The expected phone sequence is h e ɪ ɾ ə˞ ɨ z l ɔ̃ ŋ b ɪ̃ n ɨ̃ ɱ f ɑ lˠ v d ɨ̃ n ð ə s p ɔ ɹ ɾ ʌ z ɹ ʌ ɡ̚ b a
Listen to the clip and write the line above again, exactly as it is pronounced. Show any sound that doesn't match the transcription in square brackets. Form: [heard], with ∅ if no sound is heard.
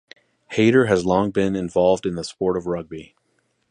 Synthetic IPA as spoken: h e ɪ ɾ ə˞ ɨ z l ɔ̃ ŋ b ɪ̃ n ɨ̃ ɱ [v] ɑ lˠ v d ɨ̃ n ð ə s p ɔ ɹ ɾ ʌ [v] ɹ ʌ ɡ̚ b [i]

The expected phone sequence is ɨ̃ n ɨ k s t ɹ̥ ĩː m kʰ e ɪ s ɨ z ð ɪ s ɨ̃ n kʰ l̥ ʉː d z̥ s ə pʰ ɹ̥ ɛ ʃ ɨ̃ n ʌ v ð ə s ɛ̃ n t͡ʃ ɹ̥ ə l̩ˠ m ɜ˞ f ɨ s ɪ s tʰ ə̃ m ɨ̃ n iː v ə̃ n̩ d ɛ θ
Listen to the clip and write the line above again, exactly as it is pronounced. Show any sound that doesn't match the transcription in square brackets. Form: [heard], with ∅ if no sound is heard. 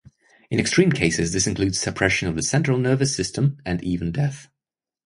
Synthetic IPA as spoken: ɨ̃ n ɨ k s t ɹ̥ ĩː m kʰ e ɪ s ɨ z ð ɪ s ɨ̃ n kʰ l̥ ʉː d z̥ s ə pʰ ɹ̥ ɛ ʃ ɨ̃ n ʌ v ð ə s ɛ̃ n t͡ʃ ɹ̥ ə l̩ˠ [n] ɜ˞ [v] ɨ s ɪ s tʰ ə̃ m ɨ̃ n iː v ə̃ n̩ d ɛ θ

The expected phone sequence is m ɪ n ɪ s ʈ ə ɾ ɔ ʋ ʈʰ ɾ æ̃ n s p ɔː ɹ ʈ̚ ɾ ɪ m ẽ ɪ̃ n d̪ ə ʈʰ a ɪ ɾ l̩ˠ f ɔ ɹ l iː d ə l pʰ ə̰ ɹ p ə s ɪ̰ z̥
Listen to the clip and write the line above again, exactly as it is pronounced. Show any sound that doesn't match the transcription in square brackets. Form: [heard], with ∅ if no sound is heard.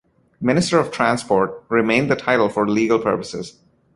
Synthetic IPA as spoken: m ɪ n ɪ s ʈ ə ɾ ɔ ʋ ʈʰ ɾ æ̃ n s p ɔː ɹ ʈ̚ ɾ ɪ m ẽ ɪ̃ n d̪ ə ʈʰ a ɪ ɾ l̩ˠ f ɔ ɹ l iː [ɡ] ə l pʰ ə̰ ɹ p ə s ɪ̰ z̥

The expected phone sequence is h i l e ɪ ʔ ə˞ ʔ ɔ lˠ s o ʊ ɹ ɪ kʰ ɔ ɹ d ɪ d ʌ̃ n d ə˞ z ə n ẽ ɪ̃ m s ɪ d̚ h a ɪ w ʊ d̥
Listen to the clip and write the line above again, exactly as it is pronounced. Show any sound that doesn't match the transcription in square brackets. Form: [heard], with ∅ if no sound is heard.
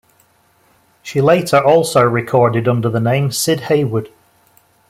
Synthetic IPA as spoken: [ʃ] i l e ɪ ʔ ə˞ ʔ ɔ lˠ s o ʊ ɹ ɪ kʰ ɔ ɹ d ɪ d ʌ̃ n d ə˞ [ð] ə n ẽ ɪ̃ m s ɪ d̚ h [e] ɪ w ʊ d̥

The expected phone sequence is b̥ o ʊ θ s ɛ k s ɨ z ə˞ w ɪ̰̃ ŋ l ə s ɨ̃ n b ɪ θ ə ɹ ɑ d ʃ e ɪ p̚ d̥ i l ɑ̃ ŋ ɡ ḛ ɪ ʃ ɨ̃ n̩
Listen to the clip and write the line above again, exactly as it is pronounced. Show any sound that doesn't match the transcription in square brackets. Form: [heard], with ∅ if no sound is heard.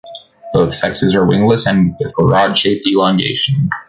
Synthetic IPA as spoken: b̥ o ʊ θ s ɛ k s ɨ z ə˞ w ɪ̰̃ ŋ l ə s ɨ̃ n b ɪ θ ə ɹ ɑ d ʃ e ɪ p̚ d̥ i l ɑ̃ ŋ ɡ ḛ ɪ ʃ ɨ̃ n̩

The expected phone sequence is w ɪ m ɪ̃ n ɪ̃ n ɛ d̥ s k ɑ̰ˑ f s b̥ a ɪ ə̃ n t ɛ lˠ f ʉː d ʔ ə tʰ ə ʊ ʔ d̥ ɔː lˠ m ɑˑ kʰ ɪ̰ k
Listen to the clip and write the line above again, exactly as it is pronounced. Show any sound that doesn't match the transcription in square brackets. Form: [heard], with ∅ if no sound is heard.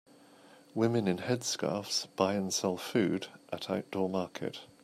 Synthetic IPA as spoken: w ɪ m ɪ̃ n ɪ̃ n ɛ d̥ s k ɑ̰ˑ f s b̥ a ɪ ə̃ n [s] ɛ lˠ f ʉː d ʔ ə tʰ [a] ʊ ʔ d̥ ɔː [∅] m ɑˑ kʰ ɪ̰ [t]

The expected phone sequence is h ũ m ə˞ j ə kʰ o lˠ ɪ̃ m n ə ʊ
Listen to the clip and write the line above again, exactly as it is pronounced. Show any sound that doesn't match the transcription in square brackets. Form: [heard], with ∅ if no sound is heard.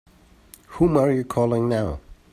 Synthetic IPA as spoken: h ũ m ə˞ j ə kʰ [ɔ] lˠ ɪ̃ [ŋ] n [a] ʊ

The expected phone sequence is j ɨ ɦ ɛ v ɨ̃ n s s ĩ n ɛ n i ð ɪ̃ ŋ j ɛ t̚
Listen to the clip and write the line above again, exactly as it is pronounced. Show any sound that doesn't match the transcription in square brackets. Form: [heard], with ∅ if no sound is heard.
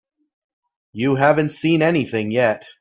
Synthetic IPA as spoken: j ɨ ɦ [æ] v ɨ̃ n [t] s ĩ n ɛ n i [θ] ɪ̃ ŋ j ɛ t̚

